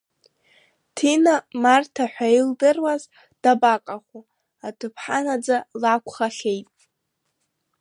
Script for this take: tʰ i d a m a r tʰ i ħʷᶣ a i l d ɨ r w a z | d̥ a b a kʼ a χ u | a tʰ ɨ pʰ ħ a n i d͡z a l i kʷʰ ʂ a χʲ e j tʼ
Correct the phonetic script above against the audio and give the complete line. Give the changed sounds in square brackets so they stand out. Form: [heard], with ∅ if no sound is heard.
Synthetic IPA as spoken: tʰ i [n] a m a r tʰ [a] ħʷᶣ a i l d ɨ r w a z | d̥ a b a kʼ a χ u | a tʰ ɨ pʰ ħ a n [a] d͡z a l [a] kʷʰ [χ] a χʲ e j tʼ